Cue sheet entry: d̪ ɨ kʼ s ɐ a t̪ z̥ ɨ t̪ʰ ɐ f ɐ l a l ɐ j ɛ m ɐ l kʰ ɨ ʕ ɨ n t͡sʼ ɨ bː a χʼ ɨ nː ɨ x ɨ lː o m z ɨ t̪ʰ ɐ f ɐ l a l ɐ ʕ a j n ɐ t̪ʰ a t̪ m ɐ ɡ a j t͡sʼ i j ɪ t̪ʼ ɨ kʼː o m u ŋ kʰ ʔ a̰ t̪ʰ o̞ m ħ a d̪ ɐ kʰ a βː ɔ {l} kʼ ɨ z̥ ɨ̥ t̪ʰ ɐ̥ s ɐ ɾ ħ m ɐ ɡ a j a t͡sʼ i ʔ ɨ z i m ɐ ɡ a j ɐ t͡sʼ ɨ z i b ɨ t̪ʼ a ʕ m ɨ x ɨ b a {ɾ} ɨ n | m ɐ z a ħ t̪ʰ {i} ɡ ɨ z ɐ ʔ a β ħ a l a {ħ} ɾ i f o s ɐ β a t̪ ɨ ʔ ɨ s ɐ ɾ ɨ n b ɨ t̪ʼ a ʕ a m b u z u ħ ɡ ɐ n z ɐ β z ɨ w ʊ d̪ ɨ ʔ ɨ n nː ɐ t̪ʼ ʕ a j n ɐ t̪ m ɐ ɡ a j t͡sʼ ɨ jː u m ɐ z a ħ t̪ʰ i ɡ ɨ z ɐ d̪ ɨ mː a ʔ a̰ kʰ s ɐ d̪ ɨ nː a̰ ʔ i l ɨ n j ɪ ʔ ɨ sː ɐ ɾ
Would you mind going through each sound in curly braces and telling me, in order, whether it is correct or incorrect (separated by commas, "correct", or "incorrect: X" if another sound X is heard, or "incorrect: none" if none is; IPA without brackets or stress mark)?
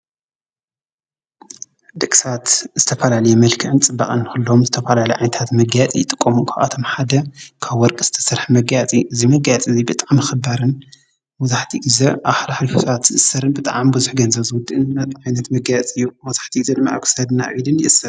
incorrect: ɾ, correct, correct, correct